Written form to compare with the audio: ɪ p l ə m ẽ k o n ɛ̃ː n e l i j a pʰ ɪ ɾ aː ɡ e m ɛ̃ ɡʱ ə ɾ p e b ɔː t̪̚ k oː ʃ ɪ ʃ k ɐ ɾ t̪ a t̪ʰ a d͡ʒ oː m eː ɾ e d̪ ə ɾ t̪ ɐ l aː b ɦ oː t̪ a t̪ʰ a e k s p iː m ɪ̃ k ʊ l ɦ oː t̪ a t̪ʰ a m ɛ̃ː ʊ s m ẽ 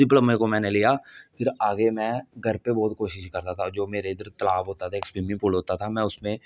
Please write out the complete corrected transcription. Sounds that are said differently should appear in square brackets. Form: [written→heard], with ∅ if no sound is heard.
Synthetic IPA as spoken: ɪ p l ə m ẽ k o [n→m] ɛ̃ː n e l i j a pʰ ɪ ɾ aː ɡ e m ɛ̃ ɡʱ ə ɾ p e b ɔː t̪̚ k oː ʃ ɪ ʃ k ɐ ɾ t̪ a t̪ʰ a d͡ʒ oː m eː ɾ e d̪ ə ɾ t̪ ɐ l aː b ɦ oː t̪ a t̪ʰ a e k s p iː m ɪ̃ [k→p] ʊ l ɦ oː t̪ a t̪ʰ a m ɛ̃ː ʊ s m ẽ